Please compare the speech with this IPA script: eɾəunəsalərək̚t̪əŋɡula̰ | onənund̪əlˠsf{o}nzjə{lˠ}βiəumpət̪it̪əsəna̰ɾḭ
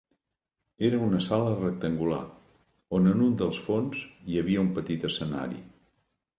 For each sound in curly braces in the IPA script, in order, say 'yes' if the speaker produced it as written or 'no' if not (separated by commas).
yes, no